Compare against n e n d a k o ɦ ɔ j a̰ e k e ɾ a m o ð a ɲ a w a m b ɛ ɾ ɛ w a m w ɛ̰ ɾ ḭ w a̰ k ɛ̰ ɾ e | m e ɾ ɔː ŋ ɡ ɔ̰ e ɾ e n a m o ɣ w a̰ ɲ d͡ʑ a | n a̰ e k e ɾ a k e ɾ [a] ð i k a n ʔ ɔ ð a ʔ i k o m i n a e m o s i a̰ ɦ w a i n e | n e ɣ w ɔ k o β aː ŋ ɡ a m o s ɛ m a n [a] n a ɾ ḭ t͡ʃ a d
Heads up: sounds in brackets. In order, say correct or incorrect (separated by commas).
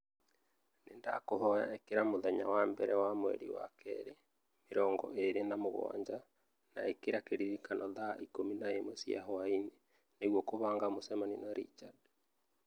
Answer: incorrect, incorrect